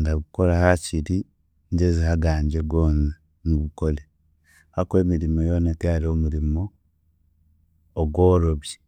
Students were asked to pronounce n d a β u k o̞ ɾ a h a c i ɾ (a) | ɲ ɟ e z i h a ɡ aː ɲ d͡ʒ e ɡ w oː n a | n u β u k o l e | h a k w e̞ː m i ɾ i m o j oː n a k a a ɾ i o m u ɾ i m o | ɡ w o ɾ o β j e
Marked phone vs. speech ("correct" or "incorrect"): incorrect